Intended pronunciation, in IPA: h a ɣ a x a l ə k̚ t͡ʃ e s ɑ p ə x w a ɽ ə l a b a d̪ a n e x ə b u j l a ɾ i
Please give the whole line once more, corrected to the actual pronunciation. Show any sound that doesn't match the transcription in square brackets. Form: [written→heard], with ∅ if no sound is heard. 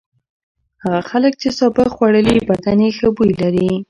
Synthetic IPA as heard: h a ɣ a x a l ə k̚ t͡ʃ e s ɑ [p→b] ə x w a ɽ ə l [a→i] b a d̪ a n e x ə b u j l a ɾ i